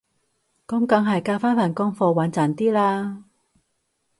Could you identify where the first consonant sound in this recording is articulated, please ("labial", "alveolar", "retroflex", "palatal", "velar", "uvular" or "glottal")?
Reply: velar